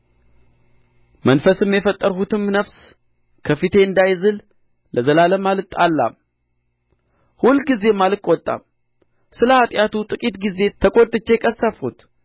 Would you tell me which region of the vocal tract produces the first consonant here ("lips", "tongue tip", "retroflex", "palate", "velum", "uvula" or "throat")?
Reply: lips